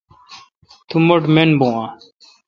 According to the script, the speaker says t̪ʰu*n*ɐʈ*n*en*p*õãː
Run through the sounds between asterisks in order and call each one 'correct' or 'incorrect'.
incorrect, incorrect, incorrect

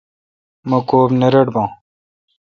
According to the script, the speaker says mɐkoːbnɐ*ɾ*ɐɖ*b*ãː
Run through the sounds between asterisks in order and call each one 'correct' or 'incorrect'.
correct, correct

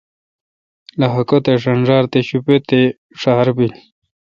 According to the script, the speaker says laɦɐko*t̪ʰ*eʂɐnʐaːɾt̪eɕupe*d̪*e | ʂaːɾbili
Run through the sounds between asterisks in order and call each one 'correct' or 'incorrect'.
incorrect, incorrect

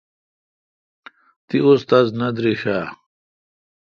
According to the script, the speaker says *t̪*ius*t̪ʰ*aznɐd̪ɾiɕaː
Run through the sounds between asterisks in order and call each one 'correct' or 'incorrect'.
correct, incorrect

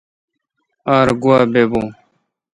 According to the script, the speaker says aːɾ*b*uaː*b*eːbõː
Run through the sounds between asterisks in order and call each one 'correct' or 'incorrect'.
incorrect, correct

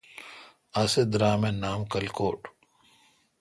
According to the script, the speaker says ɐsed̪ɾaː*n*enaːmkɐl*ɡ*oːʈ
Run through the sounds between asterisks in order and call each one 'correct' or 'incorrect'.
incorrect, incorrect

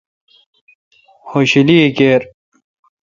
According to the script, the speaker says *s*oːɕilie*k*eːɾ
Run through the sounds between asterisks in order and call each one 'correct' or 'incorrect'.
incorrect, correct

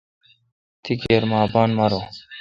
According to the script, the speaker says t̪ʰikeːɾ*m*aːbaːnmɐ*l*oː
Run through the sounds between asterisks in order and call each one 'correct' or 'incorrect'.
correct, incorrect

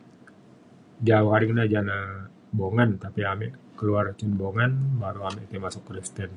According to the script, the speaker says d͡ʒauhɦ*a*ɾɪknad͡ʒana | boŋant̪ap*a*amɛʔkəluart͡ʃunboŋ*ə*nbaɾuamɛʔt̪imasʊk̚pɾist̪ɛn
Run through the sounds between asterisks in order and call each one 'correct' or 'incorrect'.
correct, incorrect, incorrect

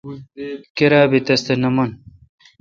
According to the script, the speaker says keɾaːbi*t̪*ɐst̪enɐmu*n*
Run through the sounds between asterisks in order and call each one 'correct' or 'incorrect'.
correct, correct

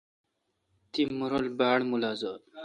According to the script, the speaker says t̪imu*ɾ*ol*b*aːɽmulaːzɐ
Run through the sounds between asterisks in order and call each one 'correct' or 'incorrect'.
correct, correct

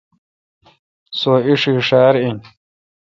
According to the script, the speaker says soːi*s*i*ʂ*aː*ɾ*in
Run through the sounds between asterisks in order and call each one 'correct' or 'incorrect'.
incorrect, correct, correct

